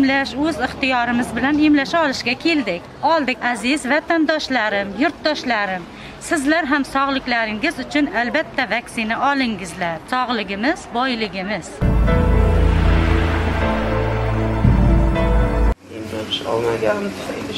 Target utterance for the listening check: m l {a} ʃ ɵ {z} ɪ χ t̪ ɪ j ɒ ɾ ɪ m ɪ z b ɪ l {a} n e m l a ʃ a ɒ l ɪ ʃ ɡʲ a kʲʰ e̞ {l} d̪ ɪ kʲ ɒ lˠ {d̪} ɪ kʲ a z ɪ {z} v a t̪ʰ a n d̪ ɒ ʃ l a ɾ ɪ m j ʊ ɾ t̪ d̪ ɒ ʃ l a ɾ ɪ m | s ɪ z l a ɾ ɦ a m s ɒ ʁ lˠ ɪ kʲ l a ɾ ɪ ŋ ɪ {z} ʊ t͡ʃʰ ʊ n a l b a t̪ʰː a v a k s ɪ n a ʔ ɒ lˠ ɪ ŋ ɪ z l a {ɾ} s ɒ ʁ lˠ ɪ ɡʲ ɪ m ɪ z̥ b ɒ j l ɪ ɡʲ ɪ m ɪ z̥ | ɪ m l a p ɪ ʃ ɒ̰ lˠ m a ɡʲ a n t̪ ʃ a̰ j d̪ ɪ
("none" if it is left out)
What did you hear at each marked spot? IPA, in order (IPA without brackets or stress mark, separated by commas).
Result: a, z, a, l, d̪, z, z, ɾ